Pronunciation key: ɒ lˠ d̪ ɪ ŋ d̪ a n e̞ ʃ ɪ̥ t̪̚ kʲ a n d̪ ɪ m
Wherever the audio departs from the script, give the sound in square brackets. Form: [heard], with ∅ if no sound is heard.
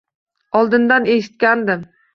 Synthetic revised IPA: ɒ lˠ d̪ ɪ [n] d̪ a n e̞ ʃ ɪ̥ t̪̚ kʲ a n d̪ ɪ m